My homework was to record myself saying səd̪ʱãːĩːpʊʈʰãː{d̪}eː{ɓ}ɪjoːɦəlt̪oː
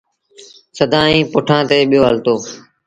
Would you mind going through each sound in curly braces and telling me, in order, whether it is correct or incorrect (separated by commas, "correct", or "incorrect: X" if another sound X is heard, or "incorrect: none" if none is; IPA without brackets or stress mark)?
incorrect: t̪, correct